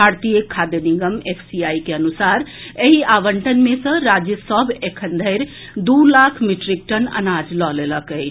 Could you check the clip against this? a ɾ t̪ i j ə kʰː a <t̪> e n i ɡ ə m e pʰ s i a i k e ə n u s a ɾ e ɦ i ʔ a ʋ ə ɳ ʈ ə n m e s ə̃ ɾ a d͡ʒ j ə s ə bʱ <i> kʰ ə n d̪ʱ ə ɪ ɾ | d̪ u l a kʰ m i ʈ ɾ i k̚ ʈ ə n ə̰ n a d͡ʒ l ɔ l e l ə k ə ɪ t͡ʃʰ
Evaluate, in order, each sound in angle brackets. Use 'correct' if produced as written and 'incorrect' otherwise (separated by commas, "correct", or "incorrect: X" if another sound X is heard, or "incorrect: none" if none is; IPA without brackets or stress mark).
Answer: incorrect: d̪, incorrect: e